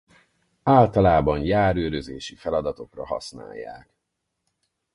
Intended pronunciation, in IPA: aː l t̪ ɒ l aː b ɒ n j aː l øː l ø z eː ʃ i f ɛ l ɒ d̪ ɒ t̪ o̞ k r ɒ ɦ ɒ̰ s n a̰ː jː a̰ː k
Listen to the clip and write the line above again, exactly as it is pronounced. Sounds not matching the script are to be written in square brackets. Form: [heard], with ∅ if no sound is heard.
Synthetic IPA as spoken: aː l t̪ ɒ l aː b ɒ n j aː [ɾ] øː [ɾ] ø z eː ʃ i f ɛ l ɒ d̪ ɒ t̪ o̞ k r ɒ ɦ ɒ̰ s n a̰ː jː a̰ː k